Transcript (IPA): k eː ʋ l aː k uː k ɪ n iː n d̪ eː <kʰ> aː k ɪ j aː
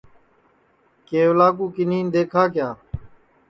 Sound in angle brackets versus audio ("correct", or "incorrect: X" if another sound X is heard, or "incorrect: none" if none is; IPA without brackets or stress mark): correct